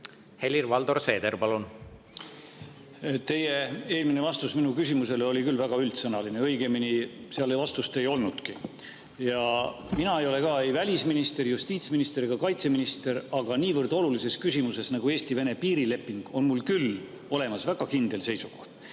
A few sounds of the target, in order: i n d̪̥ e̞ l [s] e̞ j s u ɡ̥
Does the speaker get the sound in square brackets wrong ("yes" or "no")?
no